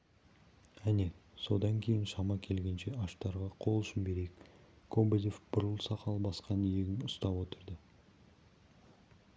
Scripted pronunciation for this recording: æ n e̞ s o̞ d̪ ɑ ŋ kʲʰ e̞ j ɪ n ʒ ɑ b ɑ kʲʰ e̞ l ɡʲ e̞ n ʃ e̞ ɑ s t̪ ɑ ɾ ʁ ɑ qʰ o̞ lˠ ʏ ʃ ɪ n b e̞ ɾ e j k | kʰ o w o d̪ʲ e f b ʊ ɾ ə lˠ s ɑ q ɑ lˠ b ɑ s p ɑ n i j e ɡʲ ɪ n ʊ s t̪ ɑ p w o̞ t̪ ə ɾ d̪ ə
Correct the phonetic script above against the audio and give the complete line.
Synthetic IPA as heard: æ n e̞ s o̞ d̪ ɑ ŋ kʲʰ e̞ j ɪ n ʃ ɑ m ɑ kʲʰ e̞ l ɡʲ e̞ n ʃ e̞ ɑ ʃ t̪ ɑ ɾ ʁ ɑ qʰ o̞ lˠ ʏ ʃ ɪ n b e̞ ɾ e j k | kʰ o b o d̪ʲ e f b ʊ ɾ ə lˠ s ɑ q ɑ lˠ b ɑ s q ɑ n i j e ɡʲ ɪ n ʊ s t̪ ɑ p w o̞ t̪ ə ɾ d̪ ə